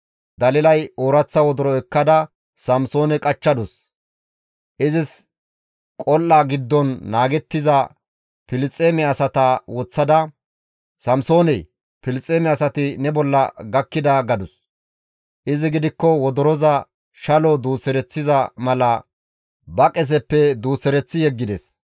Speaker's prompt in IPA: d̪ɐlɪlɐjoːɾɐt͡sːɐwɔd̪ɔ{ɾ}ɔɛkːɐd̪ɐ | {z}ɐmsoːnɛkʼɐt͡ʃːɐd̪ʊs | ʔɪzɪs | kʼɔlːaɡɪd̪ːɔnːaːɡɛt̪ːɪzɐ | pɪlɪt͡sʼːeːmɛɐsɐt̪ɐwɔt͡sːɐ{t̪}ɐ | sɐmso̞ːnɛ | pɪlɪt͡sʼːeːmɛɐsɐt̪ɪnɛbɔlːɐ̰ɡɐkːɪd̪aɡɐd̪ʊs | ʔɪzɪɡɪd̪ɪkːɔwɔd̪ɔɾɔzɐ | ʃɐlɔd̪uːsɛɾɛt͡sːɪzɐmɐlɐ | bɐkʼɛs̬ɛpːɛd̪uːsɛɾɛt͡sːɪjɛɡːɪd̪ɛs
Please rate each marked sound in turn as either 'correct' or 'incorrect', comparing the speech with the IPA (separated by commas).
correct, incorrect, incorrect